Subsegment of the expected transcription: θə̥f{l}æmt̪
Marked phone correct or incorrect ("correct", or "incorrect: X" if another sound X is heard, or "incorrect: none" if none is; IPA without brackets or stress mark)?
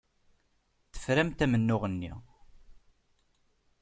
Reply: incorrect: ɾ